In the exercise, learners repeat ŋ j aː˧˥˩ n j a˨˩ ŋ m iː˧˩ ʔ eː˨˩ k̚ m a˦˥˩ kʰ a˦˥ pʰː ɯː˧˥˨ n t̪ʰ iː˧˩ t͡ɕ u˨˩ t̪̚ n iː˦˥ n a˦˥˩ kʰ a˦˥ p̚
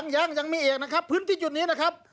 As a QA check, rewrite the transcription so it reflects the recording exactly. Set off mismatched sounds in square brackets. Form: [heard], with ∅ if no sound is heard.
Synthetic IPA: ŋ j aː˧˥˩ [ŋ] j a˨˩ ŋ m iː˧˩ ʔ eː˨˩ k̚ [n] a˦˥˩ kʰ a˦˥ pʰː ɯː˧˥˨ n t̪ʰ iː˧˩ t͡ɕ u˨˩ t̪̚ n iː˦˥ n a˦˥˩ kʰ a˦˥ p̚